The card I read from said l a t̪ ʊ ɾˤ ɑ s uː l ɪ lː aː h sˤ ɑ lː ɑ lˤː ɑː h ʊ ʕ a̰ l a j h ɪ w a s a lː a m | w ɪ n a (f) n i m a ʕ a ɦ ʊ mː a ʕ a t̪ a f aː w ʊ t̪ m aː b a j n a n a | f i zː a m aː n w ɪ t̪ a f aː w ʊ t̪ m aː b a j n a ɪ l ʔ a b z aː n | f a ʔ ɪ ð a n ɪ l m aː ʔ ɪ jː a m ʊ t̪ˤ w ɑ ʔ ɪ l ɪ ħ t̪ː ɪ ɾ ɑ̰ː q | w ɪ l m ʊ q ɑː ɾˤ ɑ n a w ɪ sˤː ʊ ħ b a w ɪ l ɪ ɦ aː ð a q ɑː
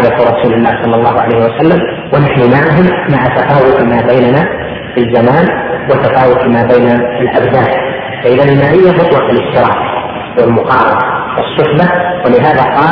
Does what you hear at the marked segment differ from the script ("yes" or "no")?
yes